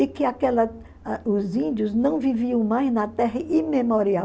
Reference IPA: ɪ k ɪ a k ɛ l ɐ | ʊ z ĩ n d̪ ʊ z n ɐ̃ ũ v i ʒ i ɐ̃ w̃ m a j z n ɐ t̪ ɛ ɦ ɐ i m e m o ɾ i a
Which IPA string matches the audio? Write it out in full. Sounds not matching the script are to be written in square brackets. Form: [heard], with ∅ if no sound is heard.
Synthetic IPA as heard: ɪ k ɪ a k ɛ l ɐ | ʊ z ĩ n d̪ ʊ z n ɐ̃ [w̃] v i [v] i ɐ̃ w̃ m a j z n ɐ t̪ ɛ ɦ ɐ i m e m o ɾ i a